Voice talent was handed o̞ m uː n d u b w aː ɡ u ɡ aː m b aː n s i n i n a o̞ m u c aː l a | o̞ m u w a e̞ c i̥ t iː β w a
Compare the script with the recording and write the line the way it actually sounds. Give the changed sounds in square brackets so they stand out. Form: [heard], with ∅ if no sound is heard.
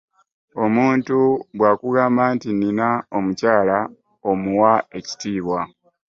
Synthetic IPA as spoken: o̞ m uː n [t] u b w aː [k] u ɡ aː m b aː n [t] i n i n a o̞ m u c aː l a | o̞ m u w a e̞ c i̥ t iː β w a